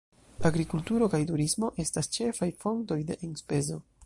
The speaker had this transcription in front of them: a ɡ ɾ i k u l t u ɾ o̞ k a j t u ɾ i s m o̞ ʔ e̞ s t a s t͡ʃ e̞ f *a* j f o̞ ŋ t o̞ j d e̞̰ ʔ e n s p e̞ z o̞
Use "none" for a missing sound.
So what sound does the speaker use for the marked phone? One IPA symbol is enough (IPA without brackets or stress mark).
a